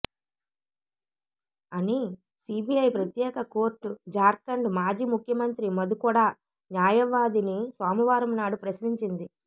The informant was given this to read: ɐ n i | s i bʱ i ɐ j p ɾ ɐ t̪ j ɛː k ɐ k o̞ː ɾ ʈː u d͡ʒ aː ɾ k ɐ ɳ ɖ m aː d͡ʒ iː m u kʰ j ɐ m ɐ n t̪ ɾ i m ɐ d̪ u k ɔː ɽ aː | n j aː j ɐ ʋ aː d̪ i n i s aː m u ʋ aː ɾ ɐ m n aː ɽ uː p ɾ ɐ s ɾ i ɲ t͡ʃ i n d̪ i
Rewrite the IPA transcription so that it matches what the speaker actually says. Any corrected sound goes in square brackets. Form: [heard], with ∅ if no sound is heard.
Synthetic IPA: ɐ n i | s i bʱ i ɐ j p ɾ ɐ t̪ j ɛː k ɐ k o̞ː ɾ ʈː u d͡ʒ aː ɾ k ɐ ɳ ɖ m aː d͡ʒ iː m u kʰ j ɐ m ɐ n t̪ ɾ i m ɐ d̪ u k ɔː ɽ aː | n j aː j ɐ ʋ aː d̪ i n i s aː m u ʋ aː ɾ ɐ m n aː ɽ [u] p ɾ ɐ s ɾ i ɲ t͡ʃ i n d̪ i